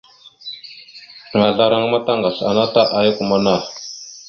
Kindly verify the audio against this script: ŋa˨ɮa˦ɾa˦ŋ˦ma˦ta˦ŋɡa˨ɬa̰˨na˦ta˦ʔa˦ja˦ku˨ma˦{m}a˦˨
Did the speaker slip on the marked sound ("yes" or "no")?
yes